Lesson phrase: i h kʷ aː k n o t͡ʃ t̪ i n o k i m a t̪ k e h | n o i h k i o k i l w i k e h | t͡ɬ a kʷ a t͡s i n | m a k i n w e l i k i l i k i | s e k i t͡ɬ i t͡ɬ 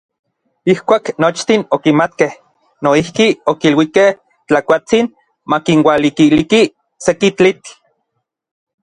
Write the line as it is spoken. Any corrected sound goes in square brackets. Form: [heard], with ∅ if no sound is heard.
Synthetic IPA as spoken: i h kʷ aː k n o t͡ʃ t̪ i n o k i m a t̪ k e h | n o i h k i o k i l w i k e h | t͡ɬ a kʷ a t͡s i n | m a k i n w [a] l i k i l i k i | s e k i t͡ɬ i t͡ɬ